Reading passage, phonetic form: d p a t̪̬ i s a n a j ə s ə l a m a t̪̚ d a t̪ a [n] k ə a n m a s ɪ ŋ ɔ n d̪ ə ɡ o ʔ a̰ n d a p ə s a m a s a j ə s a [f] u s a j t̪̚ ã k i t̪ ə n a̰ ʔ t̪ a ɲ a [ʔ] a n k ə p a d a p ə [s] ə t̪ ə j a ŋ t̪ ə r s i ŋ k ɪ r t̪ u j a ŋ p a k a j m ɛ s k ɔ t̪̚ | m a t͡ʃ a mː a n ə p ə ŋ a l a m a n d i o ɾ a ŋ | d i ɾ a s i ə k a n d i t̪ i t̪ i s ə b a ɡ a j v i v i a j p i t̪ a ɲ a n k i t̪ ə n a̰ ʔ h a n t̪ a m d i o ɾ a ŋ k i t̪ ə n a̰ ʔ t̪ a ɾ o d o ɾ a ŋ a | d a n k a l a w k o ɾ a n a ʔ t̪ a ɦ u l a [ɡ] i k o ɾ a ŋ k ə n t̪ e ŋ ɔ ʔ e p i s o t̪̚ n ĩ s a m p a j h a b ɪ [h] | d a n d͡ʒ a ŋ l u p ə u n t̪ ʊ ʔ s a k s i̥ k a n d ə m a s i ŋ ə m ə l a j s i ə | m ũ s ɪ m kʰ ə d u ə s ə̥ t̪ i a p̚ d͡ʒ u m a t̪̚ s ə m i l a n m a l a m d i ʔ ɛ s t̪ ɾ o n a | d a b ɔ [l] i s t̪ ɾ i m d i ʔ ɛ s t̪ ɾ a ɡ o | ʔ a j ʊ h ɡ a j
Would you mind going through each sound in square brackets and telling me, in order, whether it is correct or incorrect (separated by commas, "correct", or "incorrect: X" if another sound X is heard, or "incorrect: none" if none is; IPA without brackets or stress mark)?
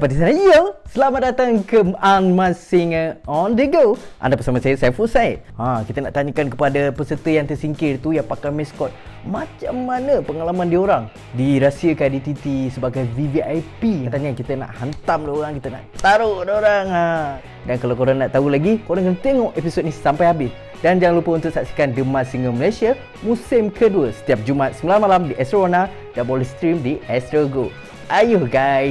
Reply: incorrect: ŋ, correct, incorrect: k, correct, correct, incorrect: s, correct